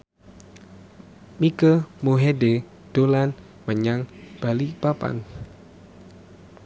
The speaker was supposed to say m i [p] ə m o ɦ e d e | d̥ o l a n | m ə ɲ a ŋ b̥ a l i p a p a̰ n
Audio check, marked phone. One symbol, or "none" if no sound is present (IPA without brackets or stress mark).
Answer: k